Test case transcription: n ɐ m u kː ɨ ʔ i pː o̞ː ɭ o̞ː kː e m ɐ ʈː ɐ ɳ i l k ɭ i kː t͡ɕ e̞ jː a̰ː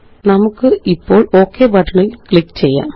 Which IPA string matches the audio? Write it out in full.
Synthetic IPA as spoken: n ɐ m u kː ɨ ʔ i pː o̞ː ɭ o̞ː kː e b ɐ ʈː ɐ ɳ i l k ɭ i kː t͡ɕ e̞ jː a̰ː